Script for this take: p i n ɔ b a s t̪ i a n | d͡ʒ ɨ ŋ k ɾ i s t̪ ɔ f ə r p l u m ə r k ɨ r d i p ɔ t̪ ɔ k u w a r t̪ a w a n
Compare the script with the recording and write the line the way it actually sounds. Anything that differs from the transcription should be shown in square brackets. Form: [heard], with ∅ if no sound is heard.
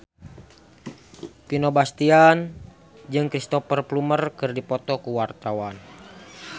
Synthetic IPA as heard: p i n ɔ b a s t̪ i a n | d͡ʒ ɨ ŋ k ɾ i s t̪ ɔ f ə r p l u m ə r k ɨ r d i p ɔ t̪ ɔ k u w a r t̪ a w a n